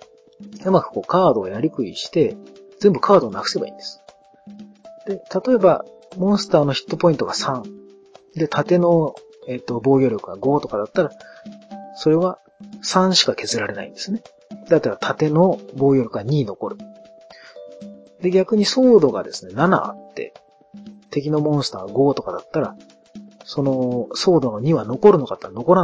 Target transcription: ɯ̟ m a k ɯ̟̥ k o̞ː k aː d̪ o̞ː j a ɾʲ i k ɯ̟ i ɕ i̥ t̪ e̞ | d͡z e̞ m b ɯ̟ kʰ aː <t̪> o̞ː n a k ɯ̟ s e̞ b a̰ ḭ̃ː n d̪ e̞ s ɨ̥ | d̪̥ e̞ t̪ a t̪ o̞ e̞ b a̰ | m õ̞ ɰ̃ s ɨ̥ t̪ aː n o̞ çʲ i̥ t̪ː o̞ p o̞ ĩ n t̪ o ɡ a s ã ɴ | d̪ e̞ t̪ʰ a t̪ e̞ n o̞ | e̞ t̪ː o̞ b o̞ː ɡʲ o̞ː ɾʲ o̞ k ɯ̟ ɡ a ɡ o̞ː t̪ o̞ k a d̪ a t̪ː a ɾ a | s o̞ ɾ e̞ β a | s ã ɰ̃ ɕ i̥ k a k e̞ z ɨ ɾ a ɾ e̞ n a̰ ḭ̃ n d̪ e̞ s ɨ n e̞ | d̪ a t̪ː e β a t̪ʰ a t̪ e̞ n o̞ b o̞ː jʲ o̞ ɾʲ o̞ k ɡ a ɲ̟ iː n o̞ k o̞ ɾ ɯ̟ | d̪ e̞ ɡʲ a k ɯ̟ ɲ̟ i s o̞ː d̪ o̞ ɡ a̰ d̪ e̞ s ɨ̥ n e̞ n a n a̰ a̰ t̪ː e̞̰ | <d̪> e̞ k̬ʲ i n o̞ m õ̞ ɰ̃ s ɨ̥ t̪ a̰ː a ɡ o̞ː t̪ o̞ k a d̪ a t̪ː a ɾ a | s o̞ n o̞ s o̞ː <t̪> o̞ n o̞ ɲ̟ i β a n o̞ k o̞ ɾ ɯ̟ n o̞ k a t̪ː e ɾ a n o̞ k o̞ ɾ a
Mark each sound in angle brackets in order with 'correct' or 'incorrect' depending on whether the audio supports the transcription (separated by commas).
incorrect, incorrect, incorrect